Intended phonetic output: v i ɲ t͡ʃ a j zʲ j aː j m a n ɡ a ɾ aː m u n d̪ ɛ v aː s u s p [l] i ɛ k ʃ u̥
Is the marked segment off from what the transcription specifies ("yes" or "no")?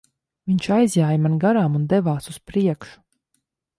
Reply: yes